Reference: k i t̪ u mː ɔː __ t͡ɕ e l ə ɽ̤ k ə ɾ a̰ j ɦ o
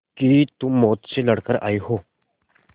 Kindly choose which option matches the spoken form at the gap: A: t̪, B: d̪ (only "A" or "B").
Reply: A